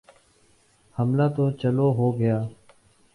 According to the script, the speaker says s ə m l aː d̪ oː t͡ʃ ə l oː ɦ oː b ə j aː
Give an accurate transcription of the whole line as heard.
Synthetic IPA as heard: h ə m l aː t̪ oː t͡ʃ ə l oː ɦ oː ɡ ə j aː